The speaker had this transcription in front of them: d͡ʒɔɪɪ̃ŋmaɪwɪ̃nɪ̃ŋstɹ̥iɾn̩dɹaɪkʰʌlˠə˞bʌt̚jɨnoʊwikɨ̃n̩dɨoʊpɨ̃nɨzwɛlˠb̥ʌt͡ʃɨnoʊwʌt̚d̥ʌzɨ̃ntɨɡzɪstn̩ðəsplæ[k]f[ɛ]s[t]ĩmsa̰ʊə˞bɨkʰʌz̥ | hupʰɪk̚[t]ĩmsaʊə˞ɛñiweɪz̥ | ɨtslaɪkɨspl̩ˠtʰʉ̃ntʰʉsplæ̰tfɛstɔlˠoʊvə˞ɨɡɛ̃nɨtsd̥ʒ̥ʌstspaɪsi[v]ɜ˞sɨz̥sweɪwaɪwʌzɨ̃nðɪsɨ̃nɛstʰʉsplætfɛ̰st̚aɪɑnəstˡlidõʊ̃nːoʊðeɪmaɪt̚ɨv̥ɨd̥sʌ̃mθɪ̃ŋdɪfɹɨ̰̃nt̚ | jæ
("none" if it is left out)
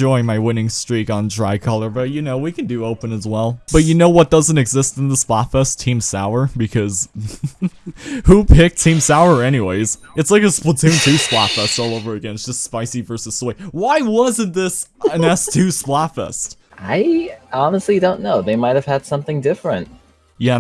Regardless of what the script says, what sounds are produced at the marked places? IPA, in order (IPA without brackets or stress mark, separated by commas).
t, ɛ, tʰ, tʰ, v